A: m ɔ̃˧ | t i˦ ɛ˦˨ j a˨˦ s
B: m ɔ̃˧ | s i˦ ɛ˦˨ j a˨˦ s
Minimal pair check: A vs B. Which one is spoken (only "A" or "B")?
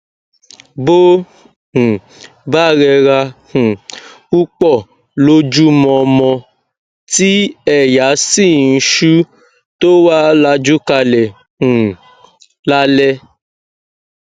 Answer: A